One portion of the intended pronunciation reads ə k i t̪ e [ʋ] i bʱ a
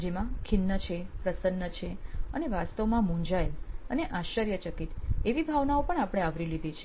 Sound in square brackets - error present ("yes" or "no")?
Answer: no